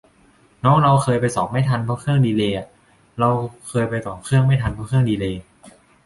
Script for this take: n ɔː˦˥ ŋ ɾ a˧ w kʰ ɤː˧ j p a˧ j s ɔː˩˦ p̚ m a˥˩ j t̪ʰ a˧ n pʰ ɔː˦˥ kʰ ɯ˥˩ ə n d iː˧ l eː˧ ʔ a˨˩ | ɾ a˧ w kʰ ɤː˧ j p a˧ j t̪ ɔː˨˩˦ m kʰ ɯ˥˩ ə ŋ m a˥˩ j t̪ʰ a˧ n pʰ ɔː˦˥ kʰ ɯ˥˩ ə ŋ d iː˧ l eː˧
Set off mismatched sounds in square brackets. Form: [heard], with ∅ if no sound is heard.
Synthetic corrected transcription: n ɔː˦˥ ŋ ɾ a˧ w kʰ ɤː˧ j p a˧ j s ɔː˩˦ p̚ m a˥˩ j t̪ʰ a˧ n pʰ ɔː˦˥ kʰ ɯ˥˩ ə [ŋ] d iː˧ l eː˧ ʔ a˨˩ | ɾ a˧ w kʰ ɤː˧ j p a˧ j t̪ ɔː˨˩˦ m kʰ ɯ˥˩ ə ŋ m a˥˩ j t̪ʰ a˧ n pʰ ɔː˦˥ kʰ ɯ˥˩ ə ŋ d iː˧ l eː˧